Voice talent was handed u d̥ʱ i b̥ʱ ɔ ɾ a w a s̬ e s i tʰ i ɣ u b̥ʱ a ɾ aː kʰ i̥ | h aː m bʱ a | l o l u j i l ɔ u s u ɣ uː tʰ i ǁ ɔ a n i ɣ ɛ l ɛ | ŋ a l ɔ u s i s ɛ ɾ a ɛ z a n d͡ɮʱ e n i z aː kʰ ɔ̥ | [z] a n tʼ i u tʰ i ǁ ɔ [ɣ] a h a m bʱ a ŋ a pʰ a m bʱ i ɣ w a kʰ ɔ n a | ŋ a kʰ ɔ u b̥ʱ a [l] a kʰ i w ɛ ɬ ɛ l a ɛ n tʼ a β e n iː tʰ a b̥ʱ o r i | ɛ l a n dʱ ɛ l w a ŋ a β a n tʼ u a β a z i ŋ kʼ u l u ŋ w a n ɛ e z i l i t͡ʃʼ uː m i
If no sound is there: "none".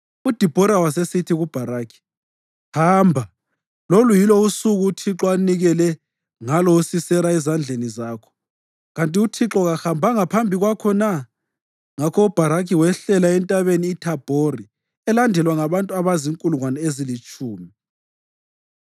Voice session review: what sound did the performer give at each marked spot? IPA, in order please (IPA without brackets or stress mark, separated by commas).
ɣ, ɣ, ɾ